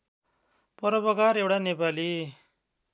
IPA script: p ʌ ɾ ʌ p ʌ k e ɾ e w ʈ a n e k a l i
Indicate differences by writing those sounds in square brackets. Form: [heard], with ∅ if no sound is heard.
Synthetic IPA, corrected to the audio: p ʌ ɾ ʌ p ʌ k [a] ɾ e w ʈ a n e [p] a l i

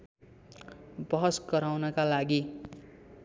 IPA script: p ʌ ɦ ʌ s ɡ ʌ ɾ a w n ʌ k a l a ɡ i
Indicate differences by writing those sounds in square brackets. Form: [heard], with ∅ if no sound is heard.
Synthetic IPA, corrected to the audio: [b] ʌ ɦ ʌ s ɡ ʌ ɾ a w n ʌ k a l a ɡ i

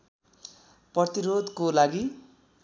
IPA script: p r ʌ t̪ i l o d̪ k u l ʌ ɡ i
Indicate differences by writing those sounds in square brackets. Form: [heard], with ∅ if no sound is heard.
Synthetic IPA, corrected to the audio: p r ʌ t̪ i [ɾ] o d̪ k [o] l [a] ɡ i

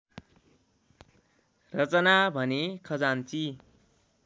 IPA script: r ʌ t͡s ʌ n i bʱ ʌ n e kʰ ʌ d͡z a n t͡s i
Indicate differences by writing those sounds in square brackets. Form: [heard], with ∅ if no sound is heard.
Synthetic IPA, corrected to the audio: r ʌ t͡s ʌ n [a] bʱ ʌ n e kʰ ʌ d͡z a n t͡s i

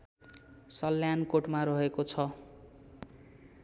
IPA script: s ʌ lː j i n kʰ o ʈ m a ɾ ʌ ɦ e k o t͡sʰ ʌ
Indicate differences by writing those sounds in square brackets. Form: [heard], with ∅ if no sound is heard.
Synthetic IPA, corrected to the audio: s ʌ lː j [a] n [k] o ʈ m a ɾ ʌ ɦ e k o t͡sʰ ʌ

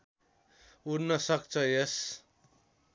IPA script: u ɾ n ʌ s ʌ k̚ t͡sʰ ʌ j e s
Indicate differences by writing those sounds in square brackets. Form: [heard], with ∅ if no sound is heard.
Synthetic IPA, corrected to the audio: u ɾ n ʌ s ʌ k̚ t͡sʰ ʌ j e s

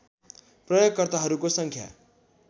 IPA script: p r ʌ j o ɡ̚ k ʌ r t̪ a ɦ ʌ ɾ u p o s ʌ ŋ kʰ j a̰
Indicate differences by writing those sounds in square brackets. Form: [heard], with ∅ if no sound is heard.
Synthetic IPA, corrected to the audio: p r ʌ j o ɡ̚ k ʌ r t̪ a ɦ ʌ ɾ u [k] o s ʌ ŋ kʰ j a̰

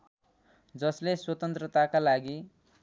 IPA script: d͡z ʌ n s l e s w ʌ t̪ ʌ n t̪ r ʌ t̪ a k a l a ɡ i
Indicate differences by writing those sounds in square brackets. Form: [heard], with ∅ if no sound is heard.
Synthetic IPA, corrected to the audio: d͡z ʌ [∅] s l e s w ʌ t̪ ʌ n t̪ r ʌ t̪ a k a l a ɡ i

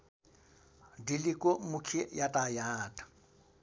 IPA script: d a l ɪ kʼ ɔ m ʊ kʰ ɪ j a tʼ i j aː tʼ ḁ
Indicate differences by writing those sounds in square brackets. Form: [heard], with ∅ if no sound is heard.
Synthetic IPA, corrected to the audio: d [i] l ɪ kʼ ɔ m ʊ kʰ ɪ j a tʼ [a] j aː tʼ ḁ

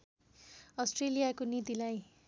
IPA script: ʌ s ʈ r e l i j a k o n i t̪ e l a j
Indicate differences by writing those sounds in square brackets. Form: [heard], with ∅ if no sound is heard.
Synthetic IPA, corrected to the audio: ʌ s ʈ r e l i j a k o n i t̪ [i] l a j

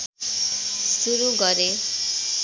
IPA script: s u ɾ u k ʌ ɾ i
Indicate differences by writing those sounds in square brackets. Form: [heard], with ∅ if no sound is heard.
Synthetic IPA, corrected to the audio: s u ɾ u [ɡ] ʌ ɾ [e]

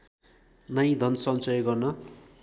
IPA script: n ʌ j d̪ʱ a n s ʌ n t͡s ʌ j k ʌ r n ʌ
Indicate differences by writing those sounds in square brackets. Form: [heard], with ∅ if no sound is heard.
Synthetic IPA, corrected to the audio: n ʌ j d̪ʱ [ʌ] n s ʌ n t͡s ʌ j [ɡ] ʌ r n ʌ

